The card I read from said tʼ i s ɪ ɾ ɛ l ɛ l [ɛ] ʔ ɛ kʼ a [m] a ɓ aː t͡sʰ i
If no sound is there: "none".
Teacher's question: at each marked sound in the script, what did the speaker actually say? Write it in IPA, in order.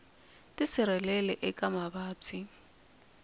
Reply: ɛ, m

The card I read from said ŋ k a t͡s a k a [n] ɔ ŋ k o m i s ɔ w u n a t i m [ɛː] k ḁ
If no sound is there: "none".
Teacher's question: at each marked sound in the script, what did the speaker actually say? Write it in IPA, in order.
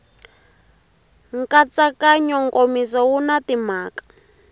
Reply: ɲ, aː

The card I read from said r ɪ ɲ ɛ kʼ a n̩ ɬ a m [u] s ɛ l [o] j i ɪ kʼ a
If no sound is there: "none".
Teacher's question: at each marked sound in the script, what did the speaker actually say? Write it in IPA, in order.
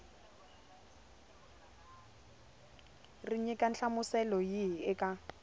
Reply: ʊ, ɔ

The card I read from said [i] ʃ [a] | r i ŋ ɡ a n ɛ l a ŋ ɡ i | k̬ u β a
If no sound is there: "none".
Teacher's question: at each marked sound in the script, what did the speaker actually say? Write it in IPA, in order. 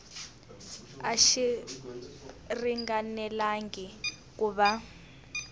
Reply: a, i

